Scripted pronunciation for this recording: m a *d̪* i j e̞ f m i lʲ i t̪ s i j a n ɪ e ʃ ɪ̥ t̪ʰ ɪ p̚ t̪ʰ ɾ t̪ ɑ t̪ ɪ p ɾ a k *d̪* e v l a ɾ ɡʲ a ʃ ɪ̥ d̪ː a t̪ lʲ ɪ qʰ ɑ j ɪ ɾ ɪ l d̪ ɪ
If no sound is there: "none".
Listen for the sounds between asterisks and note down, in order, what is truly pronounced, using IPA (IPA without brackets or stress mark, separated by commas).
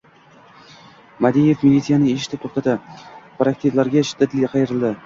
d̪, t̪